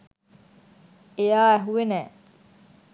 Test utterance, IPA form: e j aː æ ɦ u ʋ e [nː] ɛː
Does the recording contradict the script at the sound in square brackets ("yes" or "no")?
yes